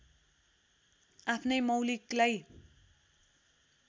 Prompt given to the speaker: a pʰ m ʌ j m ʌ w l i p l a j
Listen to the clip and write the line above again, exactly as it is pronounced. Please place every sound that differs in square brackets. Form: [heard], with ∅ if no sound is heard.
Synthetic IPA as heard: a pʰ [n] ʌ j m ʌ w l i [k] l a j